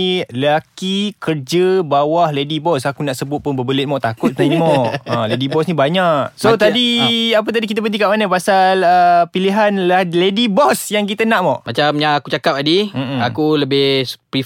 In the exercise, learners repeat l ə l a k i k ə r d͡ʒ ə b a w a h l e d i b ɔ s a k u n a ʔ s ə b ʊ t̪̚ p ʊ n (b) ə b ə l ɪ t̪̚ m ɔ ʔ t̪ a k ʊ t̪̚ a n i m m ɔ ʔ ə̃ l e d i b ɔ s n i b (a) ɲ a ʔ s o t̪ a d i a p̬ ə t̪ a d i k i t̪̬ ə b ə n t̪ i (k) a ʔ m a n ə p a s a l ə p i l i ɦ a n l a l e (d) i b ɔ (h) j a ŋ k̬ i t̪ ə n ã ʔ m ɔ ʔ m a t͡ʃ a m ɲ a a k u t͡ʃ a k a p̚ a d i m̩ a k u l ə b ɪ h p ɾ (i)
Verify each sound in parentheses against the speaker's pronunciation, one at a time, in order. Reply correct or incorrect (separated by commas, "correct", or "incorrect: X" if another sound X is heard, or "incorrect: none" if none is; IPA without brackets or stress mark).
correct, correct, correct, correct, incorrect: s, correct